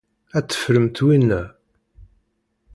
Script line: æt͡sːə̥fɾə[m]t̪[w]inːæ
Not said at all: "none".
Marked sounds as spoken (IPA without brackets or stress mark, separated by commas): m, w